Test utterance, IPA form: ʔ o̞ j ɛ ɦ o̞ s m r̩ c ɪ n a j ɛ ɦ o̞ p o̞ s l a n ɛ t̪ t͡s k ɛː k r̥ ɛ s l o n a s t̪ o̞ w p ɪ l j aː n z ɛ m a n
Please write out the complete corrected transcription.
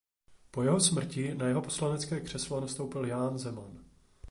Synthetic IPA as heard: p o̞ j ɛ ɦ o̞ s m r̩ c ɪ n a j ɛ ɦ o̞ p o̞ s l a n ɛ t͡s k ɛː k r̥ ɛ s l o n a s t̪ o̞ w p ɪ l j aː n z ɛ m a n